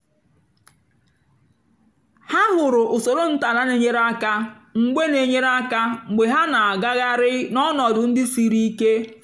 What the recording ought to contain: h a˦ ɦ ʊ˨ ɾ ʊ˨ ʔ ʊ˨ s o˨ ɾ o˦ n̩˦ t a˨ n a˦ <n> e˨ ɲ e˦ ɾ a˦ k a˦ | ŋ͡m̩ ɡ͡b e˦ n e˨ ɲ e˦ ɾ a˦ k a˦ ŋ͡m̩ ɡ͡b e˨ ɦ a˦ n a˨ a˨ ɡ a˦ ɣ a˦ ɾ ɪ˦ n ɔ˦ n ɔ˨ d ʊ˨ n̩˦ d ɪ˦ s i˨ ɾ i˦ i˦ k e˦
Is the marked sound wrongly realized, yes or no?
no